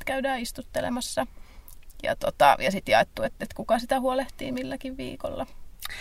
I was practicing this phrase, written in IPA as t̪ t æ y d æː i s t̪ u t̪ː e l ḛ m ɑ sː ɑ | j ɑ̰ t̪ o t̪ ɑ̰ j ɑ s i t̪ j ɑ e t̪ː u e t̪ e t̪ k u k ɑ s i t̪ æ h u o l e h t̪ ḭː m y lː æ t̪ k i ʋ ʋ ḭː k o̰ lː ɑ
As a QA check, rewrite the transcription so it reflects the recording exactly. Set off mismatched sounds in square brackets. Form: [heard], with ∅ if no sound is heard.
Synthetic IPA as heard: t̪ [k] æ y d æː i s t̪ u t̪ː e l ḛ m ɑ sː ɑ | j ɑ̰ t̪ o t̪ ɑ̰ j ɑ s i t̪ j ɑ e t̪ː u e t̪ e t̪ k u k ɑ s i t̪ æ h u o l e h t̪ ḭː m [i] lː æ [∅] k i ʋ ʋ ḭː k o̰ lː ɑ